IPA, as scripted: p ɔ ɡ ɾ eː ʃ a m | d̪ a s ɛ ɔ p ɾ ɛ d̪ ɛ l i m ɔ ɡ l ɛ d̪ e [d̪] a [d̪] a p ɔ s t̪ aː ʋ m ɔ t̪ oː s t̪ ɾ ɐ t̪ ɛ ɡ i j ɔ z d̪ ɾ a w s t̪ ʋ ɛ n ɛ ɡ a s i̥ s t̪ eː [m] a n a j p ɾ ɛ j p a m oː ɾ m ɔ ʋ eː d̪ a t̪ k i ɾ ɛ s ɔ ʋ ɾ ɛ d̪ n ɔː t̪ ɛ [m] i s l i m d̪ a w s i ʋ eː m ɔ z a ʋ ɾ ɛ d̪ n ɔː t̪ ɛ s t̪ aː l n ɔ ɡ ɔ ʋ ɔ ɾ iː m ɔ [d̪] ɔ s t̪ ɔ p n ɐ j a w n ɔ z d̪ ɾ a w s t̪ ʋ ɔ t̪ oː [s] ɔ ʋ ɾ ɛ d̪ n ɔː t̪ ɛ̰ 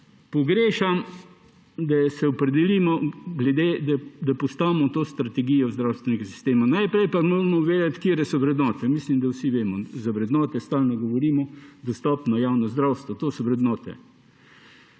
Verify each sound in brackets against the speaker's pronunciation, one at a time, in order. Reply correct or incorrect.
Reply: correct, correct, correct, correct, correct, correct

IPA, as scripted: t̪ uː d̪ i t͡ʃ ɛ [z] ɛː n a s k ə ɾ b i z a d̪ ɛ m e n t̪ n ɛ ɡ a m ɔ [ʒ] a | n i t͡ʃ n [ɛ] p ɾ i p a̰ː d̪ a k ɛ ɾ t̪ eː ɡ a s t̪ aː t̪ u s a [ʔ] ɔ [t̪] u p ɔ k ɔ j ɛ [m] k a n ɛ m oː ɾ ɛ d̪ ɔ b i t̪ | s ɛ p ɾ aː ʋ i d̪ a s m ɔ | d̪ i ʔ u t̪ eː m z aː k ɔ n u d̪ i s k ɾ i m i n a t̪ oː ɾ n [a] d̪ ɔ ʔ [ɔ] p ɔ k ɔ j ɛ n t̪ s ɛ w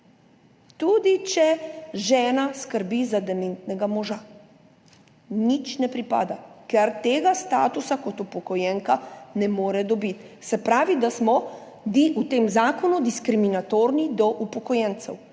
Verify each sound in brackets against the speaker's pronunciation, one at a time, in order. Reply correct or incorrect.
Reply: incorrect: ʒ, correct, correct, incorrect: k, correct, incorrect: ŋ, incorrect: i, incorrect: u

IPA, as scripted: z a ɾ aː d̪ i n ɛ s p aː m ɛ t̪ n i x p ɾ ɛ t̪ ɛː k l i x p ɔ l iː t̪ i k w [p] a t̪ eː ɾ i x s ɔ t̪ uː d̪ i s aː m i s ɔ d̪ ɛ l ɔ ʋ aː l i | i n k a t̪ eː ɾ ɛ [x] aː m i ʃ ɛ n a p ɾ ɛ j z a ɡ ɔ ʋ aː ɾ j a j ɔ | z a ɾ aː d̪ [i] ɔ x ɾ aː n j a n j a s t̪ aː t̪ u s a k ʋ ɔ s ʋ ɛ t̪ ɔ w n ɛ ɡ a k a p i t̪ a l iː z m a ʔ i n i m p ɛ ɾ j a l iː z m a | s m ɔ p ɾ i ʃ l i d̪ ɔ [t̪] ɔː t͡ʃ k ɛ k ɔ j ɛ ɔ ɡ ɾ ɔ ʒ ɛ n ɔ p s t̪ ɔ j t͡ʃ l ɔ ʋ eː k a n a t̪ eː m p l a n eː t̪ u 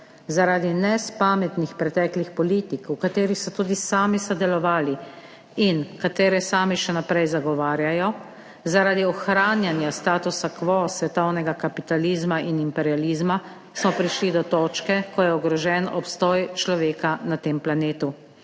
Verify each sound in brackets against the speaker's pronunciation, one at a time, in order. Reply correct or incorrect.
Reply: incorrect: k, incorrect: s, correct, correct

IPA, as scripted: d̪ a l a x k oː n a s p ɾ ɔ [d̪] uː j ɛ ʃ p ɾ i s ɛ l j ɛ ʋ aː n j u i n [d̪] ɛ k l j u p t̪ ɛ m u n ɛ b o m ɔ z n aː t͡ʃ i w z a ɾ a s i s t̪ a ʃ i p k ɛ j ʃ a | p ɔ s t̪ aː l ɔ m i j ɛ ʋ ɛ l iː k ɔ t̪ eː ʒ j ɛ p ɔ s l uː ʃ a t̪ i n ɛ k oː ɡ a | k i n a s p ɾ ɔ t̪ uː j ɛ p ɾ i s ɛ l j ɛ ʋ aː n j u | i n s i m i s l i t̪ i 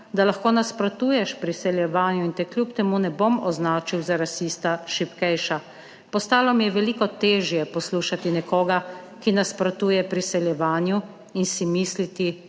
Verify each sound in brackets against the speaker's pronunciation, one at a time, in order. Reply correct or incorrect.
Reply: incorrect: t̪, incorrect: t̪

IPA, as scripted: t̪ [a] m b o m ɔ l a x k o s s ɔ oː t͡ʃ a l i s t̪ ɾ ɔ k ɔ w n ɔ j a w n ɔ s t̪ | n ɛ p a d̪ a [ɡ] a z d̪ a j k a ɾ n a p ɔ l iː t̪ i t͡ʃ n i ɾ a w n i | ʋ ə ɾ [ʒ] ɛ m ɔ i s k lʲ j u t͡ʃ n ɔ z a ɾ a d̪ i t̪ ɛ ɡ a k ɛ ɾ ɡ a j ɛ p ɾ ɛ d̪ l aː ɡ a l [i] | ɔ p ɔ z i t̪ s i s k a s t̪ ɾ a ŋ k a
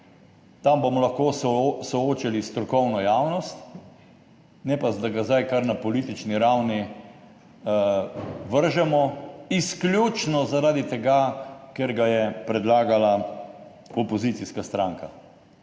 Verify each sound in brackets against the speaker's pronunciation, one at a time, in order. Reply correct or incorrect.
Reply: correct, correct, correct, incorrect: a

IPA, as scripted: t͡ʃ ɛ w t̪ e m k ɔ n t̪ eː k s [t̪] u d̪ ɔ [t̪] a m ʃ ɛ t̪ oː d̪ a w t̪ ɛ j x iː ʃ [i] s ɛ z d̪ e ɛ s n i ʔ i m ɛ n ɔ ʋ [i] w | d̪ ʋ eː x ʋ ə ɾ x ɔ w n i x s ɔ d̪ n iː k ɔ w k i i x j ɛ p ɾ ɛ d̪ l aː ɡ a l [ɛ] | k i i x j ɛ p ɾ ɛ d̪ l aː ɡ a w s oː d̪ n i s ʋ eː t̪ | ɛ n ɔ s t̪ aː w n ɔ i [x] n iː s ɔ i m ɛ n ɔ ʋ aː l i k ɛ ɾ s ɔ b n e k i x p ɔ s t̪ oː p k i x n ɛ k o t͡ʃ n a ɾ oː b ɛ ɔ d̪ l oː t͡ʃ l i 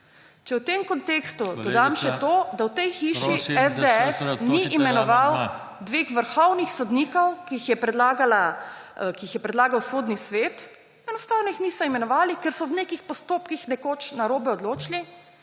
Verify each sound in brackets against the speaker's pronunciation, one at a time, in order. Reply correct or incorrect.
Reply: correct, incorrect: d̪, correct, incorrect: a, incorrect: a, correct

